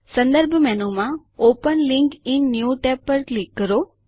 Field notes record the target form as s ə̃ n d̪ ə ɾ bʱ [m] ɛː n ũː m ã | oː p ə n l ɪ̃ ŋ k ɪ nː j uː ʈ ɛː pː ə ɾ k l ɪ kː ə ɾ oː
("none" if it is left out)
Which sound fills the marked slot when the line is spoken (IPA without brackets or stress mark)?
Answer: m